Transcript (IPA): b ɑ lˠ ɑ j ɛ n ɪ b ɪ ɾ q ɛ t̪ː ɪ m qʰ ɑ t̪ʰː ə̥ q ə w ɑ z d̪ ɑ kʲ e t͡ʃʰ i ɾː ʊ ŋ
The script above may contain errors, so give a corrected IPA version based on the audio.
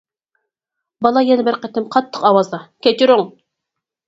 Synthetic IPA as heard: b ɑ lˠ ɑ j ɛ n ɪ b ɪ ɾ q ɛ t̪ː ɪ m qʰ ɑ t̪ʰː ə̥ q ɑ w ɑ z d̪ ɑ kʲ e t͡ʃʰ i ɾ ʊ ŋ